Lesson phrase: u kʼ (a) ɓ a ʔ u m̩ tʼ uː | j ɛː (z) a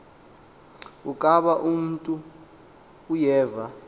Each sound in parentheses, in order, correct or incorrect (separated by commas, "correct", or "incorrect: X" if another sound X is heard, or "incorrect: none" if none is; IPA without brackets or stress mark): correct, incorrect: v